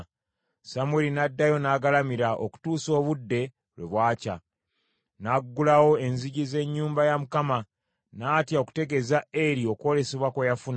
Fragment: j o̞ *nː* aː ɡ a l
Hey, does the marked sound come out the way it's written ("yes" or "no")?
no